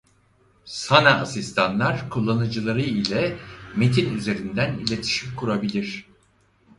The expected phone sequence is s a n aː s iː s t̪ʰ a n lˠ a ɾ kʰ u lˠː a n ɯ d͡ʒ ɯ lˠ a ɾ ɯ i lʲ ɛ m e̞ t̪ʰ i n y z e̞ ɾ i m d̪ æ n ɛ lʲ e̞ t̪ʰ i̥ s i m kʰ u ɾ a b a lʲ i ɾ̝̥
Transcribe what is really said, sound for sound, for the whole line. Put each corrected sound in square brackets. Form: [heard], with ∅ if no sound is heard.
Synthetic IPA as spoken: s a n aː s [i] s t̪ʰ a n lˠ a ɾ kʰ u lˠː a n ɯ d͡ʒ ɯ lˠ a ɾ ɯ i lʲ ɛ m e̞ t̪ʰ i n y z e̞ ɾ i [n] d̪ æ n [i] lʲ e̞ t̪ʰ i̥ [ʃ] i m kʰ u ɾ a b [i] lʲ i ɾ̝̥